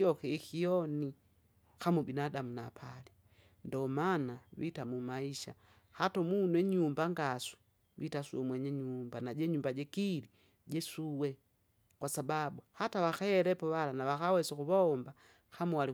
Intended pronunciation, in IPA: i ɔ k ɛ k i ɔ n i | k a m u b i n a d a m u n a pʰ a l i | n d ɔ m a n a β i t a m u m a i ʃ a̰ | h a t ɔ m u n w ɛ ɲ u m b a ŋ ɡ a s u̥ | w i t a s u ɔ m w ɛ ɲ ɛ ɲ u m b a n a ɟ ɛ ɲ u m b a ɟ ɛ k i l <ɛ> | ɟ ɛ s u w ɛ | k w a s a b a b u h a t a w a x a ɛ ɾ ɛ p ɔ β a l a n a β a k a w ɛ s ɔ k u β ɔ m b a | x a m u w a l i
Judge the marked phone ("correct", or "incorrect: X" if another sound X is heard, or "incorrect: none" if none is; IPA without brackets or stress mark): incorrect: i